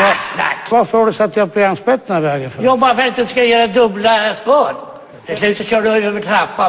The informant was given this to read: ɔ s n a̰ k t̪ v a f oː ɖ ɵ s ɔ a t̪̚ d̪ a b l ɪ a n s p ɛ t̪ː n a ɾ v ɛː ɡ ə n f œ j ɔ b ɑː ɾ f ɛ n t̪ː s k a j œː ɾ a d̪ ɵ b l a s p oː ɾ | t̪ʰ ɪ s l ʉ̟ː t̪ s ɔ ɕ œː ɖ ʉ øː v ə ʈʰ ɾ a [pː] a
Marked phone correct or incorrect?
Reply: correct